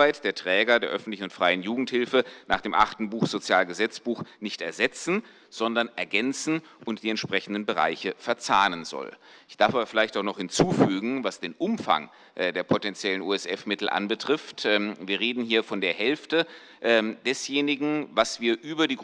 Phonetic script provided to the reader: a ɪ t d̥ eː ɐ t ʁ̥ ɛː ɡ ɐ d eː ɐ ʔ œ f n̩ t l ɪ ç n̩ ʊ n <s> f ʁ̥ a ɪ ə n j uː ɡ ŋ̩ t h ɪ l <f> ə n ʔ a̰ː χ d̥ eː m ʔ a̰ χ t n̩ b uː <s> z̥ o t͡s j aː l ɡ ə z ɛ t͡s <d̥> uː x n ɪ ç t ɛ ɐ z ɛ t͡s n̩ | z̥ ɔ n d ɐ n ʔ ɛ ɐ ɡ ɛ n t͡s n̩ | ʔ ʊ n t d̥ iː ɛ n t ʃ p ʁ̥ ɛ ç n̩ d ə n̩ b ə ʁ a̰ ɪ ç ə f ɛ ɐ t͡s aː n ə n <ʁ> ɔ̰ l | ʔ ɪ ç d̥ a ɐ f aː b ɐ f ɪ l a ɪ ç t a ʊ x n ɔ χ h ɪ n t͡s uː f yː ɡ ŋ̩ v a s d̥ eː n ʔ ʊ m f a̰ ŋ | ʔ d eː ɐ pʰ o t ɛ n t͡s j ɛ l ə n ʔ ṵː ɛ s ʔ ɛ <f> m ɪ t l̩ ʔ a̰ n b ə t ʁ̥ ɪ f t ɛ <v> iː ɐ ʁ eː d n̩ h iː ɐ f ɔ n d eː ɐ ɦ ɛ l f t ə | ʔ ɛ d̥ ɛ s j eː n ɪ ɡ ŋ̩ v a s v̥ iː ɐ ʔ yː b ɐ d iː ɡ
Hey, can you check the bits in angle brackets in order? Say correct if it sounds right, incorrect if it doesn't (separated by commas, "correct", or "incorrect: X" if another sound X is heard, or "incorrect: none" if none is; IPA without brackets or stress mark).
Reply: incorrect: t, correct, incorrect: x, incorrect: b̥, incorrect: z, correct, correct